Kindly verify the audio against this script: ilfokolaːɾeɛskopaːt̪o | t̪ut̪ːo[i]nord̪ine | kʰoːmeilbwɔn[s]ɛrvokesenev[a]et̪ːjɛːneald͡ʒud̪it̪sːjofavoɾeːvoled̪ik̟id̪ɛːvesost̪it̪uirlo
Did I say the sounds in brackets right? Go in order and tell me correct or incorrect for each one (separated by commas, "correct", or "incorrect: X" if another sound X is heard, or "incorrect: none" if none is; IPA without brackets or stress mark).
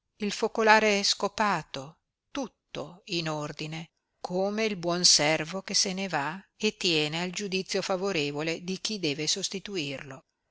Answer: correct, correct, correct